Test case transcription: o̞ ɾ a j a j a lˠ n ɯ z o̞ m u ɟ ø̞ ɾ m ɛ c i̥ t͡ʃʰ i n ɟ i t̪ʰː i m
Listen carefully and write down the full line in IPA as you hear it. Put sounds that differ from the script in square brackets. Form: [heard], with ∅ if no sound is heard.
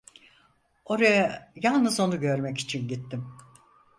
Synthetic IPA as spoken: o̞ ɾ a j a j a lˠ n ɯ z o̞ [n] u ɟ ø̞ ɾ m ɛ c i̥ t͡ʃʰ i n ɟ i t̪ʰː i m